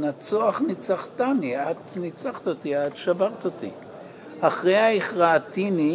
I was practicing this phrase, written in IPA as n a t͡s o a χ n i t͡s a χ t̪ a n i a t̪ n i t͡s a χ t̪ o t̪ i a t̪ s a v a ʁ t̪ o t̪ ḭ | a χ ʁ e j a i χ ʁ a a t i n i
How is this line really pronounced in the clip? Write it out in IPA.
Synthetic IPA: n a t͡s o a χ n i t͡s a χ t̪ a n i a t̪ n i t͡s a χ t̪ o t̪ i a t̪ ʃ a v a ʁ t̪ o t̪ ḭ | a χ ʁ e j a i χ ʁ a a t i n i